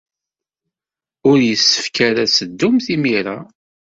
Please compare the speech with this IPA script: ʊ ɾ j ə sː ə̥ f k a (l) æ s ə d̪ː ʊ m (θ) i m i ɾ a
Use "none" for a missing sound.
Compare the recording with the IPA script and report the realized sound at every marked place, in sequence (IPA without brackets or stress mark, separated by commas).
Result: ɾ, θ